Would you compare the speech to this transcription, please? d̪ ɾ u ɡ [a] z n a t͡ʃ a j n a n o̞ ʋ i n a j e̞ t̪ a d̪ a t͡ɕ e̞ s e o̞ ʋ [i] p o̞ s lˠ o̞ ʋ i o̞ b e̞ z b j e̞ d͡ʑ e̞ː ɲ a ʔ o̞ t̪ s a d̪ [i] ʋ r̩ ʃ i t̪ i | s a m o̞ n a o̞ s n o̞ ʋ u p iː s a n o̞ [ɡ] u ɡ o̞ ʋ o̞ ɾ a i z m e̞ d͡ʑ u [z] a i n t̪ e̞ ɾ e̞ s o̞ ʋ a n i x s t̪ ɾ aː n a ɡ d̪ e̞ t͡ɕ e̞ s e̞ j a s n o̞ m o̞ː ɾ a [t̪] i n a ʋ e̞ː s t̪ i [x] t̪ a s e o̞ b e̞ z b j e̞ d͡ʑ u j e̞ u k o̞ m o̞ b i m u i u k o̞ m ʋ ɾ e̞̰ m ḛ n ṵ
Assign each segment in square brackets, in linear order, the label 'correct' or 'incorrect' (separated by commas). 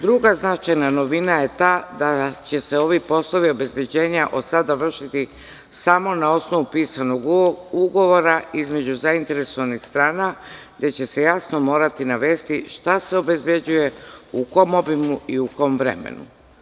correct, correct, incorrect, correct, correct, correct, incorrect